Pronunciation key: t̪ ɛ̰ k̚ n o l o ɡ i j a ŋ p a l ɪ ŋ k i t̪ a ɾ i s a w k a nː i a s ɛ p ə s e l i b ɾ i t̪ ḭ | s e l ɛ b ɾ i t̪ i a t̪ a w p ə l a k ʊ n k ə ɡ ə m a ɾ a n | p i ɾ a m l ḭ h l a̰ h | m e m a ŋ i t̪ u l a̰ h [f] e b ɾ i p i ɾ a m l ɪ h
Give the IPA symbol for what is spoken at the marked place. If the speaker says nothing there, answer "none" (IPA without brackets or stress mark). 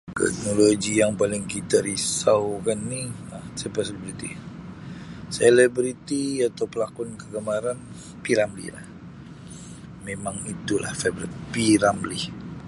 f